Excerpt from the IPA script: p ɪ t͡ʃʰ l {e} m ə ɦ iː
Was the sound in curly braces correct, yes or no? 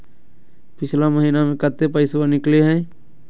no